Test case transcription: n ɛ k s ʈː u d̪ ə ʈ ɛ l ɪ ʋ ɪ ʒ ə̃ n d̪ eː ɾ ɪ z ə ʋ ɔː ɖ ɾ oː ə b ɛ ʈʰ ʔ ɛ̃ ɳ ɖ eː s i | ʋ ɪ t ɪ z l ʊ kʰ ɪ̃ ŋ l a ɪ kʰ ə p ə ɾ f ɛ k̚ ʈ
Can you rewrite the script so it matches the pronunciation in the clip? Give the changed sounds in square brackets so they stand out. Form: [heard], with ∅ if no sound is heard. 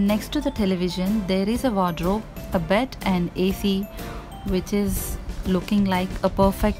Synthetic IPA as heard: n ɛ k s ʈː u d̪ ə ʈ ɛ l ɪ ʋ ɪ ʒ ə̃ n d̪ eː ɾ ɪ z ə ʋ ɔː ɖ ɾ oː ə b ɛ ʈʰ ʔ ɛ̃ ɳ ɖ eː s i | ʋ ɪ [t͡ʃ] ɪ z l ʊ [k] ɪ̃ ŋ l a ɪ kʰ ə p ə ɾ f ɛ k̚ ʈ